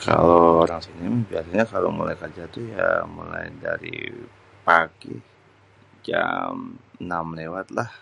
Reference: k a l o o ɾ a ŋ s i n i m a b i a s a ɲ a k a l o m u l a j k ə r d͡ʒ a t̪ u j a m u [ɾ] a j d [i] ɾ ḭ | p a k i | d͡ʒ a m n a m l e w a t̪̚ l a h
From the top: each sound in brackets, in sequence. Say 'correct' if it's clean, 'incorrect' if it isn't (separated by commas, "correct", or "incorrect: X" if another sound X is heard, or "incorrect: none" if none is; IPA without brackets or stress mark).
incorrect: l, incorrect: a